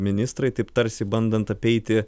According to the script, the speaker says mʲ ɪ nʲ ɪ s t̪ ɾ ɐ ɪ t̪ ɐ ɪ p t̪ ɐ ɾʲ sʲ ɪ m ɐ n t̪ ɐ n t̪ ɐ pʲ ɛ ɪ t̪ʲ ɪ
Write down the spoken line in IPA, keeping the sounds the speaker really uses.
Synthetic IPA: mʲ ɪ nʲ ɪ s t̪ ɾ ɐ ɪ t̪ ɐ ɪ p t̪ ɐ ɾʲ sʲ ɪ b ɐ n d̪ ɐ n t̪ ɐ pʲ ɛ ɪ t̪ʲ ɪ